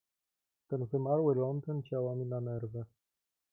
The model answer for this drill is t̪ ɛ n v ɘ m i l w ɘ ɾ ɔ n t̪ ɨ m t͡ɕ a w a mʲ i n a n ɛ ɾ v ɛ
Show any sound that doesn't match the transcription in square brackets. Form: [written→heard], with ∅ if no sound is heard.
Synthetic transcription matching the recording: t̪ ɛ n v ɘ m [i→a] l w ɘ [ɾ→l] ɔ n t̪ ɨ [m→n] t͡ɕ a w a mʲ i n a n ɛ ɾ v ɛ